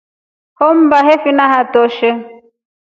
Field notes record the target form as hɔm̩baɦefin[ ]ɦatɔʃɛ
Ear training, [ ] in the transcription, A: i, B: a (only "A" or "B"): B